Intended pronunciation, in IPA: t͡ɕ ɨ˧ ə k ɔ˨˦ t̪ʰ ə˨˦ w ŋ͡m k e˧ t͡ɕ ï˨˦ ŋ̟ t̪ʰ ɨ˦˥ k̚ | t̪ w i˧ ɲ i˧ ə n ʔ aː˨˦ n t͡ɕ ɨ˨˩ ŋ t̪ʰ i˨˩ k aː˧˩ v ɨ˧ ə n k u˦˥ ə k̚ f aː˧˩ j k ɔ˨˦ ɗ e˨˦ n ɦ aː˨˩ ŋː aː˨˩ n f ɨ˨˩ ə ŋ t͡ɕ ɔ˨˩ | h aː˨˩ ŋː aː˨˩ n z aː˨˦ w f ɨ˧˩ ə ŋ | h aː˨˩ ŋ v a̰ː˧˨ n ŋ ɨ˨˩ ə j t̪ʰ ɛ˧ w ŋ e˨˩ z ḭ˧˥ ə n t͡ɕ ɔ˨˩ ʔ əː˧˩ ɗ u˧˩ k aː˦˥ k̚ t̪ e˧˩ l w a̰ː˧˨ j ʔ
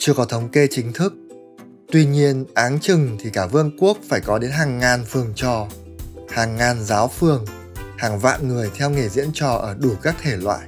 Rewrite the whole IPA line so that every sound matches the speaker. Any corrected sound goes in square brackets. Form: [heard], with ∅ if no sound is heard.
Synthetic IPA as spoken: t͡ɕ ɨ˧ ə k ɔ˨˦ t̪ʰ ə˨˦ w ŋ͡m k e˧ t͡ɕ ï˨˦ ŋ̟ t̪ʰ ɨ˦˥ k̚ | t̪ w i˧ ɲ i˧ ə n ʔ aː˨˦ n t͡ɕ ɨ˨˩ ŋ t̪ʰ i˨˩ k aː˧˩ v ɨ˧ ə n k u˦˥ ə k̚ f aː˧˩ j k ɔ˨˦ ɗ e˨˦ n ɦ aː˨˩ ŋː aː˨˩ n f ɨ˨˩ ə ŋ t͡ɕ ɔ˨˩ | h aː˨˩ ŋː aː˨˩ n z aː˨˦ w f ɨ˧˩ ə ŋ | h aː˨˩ ŋ v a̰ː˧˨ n ŋ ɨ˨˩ ə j t̪ʰ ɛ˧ w ŋ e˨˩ z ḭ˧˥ ə n t͡ɕ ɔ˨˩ ʔ əː˧˩ ɗ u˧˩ k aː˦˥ k̚ [t̪ʰ] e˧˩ l w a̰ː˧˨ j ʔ